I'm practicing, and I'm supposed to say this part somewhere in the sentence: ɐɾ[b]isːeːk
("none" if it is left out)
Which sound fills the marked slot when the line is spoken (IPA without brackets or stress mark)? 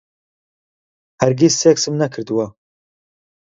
ɡ